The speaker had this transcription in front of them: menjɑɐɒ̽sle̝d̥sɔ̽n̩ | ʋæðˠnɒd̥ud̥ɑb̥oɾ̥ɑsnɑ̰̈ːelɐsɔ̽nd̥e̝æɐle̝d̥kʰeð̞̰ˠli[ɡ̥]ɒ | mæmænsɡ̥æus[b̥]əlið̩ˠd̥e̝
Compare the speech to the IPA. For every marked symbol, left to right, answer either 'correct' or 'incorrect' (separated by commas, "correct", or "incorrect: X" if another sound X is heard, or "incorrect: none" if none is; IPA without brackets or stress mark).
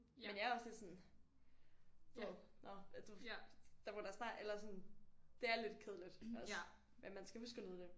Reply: incorrect: d̥, incorrect: ɡ̥